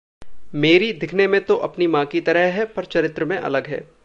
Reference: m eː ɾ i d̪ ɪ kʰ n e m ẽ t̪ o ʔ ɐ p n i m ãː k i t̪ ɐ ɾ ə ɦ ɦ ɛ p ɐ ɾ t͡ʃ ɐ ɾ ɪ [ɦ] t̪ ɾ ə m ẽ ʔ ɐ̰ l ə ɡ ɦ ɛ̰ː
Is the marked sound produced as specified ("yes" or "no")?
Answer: no